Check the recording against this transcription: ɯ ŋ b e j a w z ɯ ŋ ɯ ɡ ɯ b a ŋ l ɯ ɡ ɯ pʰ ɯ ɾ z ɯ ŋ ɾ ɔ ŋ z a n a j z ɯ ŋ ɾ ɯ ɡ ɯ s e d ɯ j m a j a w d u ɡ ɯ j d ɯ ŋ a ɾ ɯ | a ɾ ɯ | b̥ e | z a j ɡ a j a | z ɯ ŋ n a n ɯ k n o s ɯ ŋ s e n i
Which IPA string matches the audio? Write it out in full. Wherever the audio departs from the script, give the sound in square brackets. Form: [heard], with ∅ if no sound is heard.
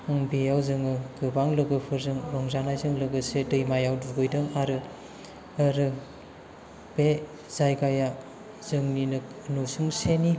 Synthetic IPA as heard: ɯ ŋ b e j a w z ɯ ŋ ɯ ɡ ɯ b a ŋ l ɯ ɡ ɯ pʰ ɯ ɾ z ɯ ŋ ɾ ɔ ŋ z a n a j z ɯ ŋ [l] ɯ ɡ ɯ s e d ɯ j m a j a w d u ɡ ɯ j d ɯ ŋ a ɾ ɯ | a ɾ ɯ | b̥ e | z a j ɡ a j a | z ɯ ŋ n [i] n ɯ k n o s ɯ ŋ s e n i